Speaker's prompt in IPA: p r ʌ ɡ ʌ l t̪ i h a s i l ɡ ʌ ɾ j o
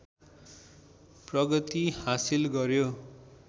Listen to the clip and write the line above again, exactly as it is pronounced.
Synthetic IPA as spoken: p r ʌ ɡ ʌ t̪ i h a s i l ɡ ʌ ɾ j o